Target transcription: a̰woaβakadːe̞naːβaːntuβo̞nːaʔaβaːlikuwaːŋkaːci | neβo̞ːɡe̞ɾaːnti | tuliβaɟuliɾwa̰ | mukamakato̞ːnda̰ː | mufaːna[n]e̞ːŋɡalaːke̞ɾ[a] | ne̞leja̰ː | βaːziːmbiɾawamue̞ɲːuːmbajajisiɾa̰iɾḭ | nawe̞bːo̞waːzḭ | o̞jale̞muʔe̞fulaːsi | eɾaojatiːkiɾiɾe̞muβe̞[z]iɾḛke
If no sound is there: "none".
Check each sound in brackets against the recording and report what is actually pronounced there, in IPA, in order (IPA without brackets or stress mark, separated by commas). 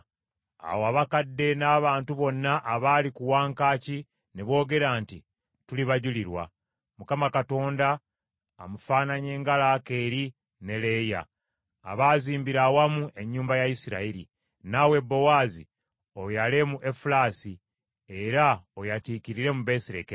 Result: ɲ, i, s